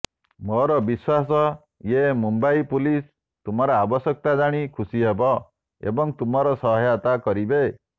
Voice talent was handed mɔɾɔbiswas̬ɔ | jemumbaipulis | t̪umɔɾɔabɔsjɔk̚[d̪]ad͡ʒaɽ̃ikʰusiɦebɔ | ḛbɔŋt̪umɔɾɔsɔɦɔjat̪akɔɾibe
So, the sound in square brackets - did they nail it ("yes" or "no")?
no